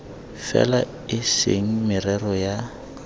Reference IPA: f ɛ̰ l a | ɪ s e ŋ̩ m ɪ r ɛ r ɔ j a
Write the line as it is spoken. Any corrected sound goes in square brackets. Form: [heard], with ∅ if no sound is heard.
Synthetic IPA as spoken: f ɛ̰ l a | ɪ s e ŋ̩ m ɪ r ɛ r ɔ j a